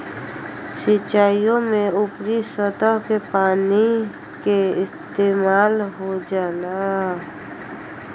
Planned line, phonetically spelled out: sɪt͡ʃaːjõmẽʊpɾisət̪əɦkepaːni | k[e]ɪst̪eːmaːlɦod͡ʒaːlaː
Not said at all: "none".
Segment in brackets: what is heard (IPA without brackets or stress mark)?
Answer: e